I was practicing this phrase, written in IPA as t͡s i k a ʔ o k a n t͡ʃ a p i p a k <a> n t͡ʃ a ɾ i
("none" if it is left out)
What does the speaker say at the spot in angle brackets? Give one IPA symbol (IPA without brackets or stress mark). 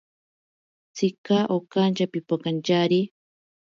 a